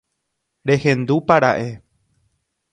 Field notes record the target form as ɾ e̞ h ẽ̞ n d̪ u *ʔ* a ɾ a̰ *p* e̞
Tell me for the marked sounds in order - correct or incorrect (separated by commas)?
incorrect, incorrect